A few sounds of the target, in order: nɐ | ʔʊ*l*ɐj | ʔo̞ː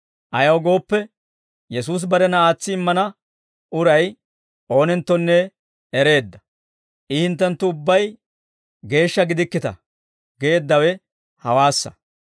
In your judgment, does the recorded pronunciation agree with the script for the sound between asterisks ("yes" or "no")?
no